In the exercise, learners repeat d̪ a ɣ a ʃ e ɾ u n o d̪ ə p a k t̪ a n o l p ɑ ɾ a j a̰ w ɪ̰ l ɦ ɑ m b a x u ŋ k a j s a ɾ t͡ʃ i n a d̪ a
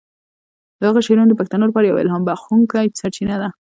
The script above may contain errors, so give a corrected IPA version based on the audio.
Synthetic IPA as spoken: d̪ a ɣ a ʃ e ɾ u n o d̪ ə p a k t̪ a n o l p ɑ ɾ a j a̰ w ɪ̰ l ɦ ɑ m b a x u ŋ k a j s a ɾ t͡ʃ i n a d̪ a